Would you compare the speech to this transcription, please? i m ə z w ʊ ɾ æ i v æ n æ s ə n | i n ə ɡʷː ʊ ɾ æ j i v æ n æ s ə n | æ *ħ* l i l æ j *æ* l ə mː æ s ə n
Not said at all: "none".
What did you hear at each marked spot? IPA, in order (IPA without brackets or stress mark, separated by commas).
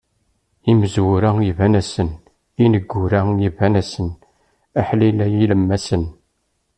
ħ, i